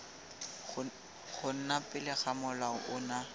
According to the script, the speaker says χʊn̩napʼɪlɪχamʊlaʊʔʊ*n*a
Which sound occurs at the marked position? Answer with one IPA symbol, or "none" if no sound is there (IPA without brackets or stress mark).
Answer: n